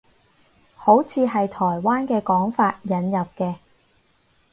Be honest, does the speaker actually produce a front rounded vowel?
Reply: no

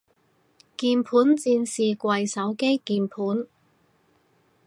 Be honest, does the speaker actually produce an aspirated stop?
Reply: yes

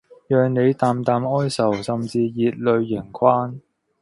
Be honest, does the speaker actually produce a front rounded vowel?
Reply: yes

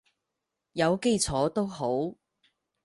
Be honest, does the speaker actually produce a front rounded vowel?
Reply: no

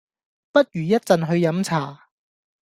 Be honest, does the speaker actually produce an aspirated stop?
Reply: yes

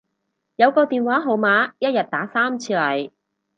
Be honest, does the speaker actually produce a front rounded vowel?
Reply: no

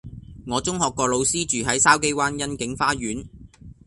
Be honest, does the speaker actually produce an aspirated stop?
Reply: no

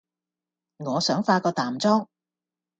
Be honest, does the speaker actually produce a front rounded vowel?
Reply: yes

